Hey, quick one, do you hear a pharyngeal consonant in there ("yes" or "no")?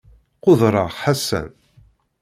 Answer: yes